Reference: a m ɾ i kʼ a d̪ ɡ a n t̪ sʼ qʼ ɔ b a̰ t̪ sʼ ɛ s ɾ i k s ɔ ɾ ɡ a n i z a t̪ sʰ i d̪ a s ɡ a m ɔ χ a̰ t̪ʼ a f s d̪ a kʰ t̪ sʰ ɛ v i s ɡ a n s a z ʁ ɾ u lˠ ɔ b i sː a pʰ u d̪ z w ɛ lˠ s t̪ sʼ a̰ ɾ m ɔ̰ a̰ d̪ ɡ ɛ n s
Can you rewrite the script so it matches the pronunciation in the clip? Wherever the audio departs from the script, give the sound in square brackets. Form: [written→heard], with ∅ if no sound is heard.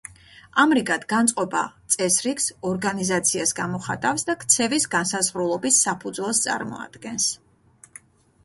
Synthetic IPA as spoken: a m ɾ i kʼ a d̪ ɡ a n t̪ sʼ qʼ ɔ b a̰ t̪ sʼ ɛ s ɾ i k s ɔ ɾ ɡ a n i z a t̪ sʰ i [d̪→∅] a s ɡ a m ɔ χ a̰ t̪ʼ a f s d̪ a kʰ t̪ sʰ ɛ v i s ɡ a n s a z ʁ ɾ u lˠ ɔ b i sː a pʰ u d̪ z w ɛ lˠ s t̪ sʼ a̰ ɾ m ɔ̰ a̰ d̪ ɡ ɛ n s